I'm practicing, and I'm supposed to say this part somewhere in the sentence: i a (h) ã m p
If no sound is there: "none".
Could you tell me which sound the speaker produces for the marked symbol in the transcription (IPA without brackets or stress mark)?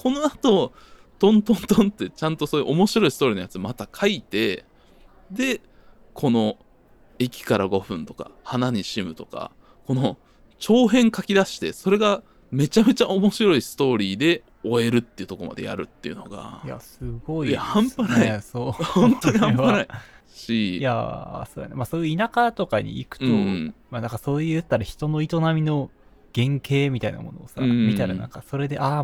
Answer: h